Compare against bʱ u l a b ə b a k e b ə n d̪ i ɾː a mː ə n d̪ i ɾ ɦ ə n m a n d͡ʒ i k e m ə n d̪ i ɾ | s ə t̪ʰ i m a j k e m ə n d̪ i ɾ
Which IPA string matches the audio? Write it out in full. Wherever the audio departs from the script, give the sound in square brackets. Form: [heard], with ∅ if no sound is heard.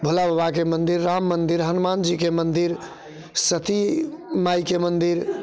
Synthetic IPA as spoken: bʱ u l a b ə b a k e [m] ə n d̪ i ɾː a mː ə n d̪ i ɾ ɦ ə n m a n d͡ʒ i k e m ə n d̪ i ɾ | s ə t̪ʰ i m a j k e m ə n d̪ i ɾ